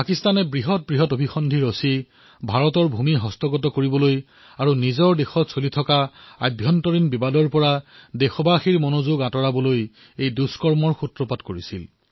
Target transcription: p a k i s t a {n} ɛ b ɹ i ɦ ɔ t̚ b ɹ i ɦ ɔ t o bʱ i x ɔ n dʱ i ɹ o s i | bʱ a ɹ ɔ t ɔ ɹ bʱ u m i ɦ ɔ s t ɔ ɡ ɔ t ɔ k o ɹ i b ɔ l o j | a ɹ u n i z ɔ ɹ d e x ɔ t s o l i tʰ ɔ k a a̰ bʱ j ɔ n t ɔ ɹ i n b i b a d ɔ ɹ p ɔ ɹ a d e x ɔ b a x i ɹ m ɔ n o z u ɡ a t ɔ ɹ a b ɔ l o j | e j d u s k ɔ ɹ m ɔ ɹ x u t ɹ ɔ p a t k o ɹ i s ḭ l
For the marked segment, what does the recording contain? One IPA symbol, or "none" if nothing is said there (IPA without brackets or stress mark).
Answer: n